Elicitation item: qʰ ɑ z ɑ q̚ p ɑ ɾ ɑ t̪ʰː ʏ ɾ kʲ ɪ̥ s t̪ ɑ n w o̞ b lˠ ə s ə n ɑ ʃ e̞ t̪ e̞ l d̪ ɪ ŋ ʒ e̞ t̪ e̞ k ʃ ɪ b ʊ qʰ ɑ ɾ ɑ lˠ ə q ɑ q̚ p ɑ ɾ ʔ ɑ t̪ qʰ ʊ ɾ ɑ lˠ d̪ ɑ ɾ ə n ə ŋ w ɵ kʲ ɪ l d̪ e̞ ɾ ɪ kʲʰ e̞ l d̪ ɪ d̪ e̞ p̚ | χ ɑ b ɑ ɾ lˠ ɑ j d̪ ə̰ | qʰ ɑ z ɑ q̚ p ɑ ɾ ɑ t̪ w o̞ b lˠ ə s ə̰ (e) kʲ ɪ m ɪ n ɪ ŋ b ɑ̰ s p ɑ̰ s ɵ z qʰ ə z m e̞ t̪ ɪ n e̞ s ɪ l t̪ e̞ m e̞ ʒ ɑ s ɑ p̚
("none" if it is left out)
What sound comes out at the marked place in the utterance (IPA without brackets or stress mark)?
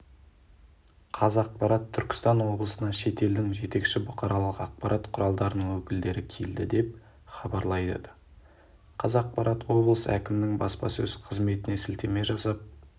æ